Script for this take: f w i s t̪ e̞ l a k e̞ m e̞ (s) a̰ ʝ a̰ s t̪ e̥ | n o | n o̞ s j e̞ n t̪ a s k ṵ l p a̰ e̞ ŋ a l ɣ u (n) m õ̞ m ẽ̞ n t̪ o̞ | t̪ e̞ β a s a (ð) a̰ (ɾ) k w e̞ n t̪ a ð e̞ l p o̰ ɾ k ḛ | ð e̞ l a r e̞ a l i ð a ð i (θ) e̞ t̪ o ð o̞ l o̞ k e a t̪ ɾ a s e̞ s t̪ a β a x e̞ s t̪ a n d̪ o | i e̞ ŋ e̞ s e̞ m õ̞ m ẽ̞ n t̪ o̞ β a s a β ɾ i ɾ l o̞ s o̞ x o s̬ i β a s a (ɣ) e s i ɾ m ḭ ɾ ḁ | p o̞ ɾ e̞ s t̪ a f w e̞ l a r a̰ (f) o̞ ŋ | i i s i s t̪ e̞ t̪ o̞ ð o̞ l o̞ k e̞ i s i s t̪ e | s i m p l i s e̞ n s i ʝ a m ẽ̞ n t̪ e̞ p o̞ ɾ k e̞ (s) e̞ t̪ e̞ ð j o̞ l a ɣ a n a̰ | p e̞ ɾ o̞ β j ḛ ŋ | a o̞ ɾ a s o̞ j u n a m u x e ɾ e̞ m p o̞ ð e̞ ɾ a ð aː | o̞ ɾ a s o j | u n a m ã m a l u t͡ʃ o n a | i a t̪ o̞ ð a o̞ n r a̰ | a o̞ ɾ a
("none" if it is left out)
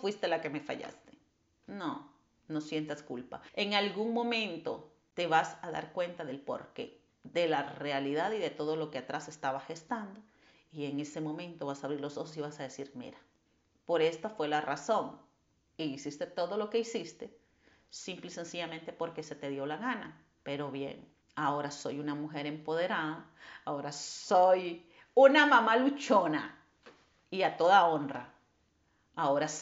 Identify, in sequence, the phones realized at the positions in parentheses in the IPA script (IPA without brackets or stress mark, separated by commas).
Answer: f, ŋ, ð, ɾ, ð, ð, s, s